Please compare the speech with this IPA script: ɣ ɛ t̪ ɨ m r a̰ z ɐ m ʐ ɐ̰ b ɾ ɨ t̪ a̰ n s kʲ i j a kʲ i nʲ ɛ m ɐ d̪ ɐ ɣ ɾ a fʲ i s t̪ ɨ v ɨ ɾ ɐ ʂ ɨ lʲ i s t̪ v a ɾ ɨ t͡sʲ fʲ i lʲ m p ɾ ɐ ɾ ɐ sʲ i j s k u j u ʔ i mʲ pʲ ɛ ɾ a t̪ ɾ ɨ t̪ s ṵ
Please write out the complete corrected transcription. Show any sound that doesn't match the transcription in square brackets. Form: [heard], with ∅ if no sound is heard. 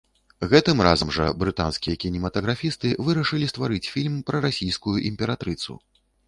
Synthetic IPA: ɣ ɛ t̪ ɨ m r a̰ z ɐ m ʐ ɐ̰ b ɾ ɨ t̪ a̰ n s kʲ i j [ɐ] kʲ i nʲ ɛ m ɐ [t̪] ɐ ɣ ɾ a fʲ i s t̪ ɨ v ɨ ɾ ɐ ʂ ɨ lʲ i s t̪ v a ɾ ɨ t͡sʲ fʲ i lʲ m p ɾ ɐ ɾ [a] sʲ i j s k u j u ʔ i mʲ pʲ ɛ ɾ a t̪ ɾ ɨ t̪ s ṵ